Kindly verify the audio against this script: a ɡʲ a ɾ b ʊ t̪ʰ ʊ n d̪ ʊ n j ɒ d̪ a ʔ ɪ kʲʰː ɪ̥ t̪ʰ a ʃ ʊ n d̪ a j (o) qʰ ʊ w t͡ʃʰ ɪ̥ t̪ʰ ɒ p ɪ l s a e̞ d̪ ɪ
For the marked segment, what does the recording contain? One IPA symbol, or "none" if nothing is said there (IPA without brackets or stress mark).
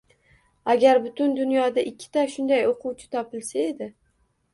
o